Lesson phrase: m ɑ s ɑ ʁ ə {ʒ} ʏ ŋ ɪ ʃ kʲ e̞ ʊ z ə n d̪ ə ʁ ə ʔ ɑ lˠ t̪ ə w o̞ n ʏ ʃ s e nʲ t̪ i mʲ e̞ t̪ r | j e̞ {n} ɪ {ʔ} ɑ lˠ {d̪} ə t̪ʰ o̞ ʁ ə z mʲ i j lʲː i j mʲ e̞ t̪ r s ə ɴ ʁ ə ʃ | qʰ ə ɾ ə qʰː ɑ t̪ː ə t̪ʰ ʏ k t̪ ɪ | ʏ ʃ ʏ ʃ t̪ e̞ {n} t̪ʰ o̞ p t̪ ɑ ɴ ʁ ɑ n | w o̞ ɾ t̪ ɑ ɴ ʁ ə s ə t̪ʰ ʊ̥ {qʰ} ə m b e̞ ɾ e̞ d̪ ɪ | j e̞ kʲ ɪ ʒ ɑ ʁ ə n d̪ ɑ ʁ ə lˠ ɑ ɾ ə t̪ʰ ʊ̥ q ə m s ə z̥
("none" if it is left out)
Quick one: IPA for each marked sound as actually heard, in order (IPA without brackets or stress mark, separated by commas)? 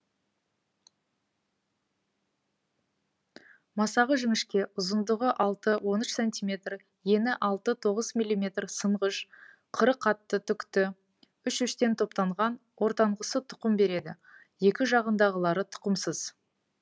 ʒ, n, ʔ, t̪, n, q